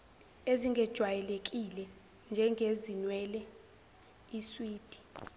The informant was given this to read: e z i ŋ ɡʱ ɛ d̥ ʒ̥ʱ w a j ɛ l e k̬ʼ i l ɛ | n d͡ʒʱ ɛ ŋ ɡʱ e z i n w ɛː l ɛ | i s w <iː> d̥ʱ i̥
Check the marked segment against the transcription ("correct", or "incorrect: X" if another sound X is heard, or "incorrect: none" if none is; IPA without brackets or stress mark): correct